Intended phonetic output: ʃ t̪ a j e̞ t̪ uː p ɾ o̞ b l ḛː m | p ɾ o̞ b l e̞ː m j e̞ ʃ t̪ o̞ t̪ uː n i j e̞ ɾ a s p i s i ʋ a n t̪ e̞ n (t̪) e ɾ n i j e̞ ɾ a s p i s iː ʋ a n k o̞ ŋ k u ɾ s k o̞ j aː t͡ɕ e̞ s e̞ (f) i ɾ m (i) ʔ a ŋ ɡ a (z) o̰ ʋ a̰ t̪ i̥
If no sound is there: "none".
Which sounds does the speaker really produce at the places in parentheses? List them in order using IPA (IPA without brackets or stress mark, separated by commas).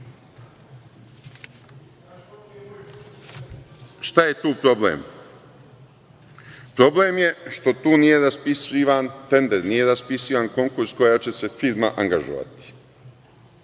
d̪, f, a, ʒ